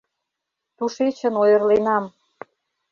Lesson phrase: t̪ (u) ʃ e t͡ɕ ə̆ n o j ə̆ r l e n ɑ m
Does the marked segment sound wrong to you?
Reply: no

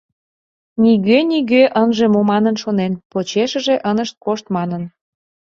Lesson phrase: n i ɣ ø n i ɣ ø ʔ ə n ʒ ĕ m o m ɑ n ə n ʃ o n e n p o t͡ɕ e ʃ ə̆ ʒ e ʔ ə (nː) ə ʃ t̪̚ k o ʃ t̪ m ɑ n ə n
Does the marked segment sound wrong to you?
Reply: yes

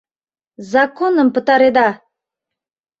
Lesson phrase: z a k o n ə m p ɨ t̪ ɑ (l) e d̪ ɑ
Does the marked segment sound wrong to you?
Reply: yes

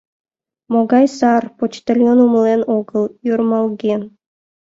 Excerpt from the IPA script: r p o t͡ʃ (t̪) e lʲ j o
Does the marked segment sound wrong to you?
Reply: no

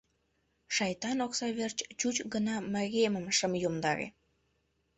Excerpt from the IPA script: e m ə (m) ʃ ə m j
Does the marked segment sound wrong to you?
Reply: no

